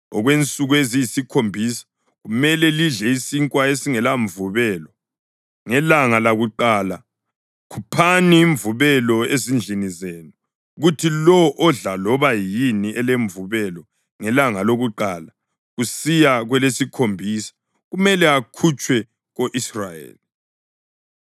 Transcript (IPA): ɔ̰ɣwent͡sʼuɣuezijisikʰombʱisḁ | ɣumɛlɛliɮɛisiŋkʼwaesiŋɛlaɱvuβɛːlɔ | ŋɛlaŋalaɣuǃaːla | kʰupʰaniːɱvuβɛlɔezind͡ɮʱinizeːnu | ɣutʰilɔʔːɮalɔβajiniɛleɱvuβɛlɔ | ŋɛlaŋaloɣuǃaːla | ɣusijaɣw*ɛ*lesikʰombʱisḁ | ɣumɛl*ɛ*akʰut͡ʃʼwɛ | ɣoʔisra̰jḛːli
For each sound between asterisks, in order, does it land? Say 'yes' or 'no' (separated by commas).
yes, yes